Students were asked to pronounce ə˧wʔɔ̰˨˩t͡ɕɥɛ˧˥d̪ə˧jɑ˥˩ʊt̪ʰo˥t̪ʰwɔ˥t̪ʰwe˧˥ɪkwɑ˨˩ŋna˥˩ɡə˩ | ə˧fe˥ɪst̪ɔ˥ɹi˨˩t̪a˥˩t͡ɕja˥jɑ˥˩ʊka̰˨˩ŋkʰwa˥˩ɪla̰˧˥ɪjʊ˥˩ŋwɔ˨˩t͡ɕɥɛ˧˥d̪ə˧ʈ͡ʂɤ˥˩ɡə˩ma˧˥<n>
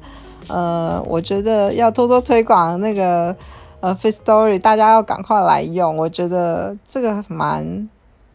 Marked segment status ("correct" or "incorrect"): correct